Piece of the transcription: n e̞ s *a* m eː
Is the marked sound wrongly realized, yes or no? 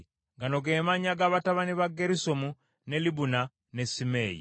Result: yes